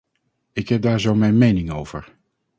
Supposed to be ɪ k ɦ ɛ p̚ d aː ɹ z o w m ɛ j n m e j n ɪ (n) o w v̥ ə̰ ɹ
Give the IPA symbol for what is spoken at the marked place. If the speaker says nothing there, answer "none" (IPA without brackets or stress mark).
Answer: ŋ